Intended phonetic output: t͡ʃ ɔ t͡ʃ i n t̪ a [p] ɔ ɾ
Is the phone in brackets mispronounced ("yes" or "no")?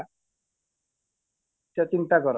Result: yes